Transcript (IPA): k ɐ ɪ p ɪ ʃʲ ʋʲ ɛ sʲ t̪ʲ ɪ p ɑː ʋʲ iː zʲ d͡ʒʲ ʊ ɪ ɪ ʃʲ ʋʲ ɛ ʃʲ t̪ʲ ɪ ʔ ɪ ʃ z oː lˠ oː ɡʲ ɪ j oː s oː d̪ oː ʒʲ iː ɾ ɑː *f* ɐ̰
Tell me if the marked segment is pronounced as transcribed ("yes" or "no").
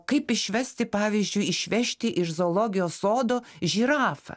yes